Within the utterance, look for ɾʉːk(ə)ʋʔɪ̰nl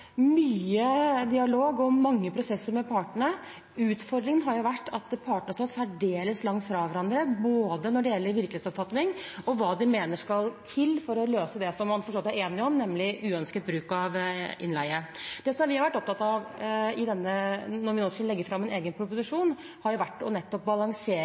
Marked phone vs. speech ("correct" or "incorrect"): incorrect